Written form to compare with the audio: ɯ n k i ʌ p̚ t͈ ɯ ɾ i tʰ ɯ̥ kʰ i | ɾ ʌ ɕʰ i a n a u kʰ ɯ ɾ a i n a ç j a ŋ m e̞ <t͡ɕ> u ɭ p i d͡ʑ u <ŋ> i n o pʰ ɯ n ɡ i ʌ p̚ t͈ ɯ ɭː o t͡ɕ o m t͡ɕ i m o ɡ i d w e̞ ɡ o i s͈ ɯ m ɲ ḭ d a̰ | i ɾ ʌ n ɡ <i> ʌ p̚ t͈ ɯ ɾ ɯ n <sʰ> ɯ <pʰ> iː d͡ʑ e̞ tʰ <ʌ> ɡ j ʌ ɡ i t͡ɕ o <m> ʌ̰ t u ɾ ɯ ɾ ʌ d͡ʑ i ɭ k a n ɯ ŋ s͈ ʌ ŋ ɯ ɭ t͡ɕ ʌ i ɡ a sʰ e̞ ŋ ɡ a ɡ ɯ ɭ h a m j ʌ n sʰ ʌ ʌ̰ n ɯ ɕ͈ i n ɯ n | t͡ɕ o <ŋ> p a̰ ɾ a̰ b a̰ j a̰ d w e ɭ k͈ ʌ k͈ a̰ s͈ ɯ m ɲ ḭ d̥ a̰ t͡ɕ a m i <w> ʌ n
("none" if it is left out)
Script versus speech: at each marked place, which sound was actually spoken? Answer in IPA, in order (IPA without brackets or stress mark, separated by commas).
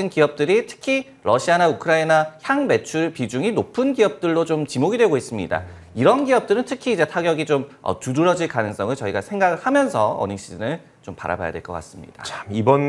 t͡ɕʰ, ŋ, i, tʰ, kʰ, a, m, m, b